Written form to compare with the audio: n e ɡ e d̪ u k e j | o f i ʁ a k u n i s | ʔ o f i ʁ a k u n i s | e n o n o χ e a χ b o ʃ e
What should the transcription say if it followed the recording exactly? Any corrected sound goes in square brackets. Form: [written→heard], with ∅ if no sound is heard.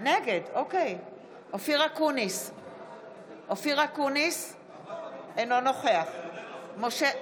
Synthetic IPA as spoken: n e ɡ e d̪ [u→o] k e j | o f i ʁ a k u n i s | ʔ o f i ʁ a k u n i s | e n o n o χ e a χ [b→m] o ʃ e